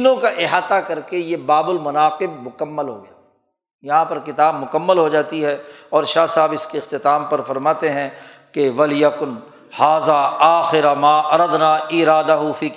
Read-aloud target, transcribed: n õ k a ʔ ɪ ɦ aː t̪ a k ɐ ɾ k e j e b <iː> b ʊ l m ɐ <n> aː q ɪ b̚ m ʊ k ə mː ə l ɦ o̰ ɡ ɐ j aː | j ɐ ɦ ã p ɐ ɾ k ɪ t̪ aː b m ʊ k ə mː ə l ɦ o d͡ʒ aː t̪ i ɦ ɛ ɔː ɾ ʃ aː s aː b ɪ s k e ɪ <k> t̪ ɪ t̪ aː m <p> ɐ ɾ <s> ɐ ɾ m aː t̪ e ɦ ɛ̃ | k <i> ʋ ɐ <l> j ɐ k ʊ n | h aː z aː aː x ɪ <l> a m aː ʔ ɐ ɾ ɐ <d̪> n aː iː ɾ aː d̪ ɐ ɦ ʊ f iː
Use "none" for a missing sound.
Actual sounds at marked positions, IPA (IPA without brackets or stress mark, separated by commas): aː, n, x, p, f, e, l, ɾ, d̪